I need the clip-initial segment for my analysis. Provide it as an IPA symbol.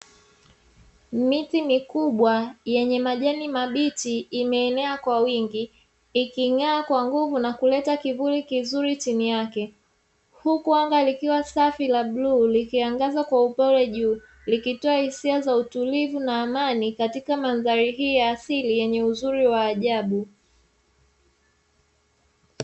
m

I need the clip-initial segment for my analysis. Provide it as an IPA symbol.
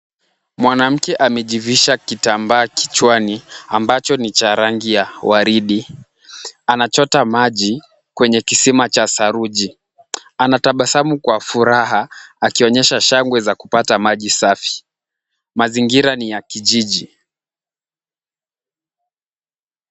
m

